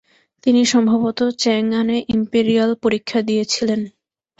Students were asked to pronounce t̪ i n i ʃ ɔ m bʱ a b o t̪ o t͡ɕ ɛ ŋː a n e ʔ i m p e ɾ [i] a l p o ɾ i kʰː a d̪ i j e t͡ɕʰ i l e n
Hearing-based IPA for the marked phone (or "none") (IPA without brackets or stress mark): i